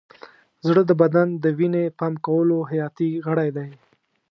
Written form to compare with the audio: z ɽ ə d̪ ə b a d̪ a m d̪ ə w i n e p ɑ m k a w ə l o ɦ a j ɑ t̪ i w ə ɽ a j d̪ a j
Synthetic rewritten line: z ɽ ə d̪ ə b a d̪ a n d̪ ə w i n e p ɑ m k a w ə l o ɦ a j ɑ t̪ i ɣ ə ɽ a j d̪ a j